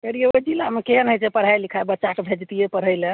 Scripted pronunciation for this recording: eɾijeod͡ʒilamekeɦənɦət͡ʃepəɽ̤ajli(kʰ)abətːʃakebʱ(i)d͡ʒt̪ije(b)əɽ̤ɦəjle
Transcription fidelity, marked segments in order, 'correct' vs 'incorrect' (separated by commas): correct, incorrect, incorrect